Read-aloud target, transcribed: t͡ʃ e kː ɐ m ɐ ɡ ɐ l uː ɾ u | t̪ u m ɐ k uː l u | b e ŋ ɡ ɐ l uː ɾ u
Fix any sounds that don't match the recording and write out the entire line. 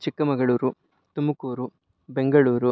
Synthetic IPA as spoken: t͡ʃ i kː ɐ m ɐ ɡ ɐ ɭ uː ɾ u | t̪ u m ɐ k uː ɾ u | b e ŋ ɡ ɐ ɭ uː ɾ u